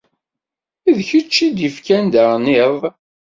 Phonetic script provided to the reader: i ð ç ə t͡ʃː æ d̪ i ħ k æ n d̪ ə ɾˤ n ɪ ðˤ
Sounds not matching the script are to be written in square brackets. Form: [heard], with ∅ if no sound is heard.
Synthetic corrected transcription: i ð ç ə t͡ʃː [i] d̪ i [f] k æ n d̪ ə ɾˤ n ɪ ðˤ